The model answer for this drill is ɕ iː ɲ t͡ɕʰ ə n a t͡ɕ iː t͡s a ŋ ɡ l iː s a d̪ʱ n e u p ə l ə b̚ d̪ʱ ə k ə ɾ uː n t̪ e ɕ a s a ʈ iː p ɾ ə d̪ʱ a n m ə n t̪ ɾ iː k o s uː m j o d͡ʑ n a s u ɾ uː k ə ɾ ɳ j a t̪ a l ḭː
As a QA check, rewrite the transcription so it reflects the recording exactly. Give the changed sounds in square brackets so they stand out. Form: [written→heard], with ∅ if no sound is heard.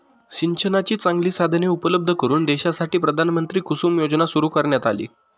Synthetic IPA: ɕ [iː→i] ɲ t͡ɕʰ ə n a t͡ɕ iː t͡s a ŋ ɡ l iː s a d̪ʱ n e u p ə l ə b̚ d̪ʱ ə k ə ɾ uː n [t̪→d̪] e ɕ a s a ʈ iː p ɾ ə d̪ʱ a n m ə n t̪ ɾ iː k [o→u] s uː m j o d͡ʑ n a s u ɾ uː k ə ɾ ɳ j a t̪ a l ḭː